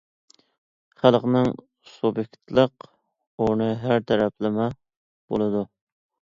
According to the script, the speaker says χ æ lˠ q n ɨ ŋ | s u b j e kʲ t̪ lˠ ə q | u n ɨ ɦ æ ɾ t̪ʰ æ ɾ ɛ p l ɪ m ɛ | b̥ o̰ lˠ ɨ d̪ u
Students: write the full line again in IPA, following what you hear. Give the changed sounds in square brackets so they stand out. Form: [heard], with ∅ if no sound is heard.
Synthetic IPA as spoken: χ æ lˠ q n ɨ ŋ | s u b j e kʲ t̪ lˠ ə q | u n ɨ ɦ æ ɾ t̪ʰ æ ɾ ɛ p l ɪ m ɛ | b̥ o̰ lˠ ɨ d̪ u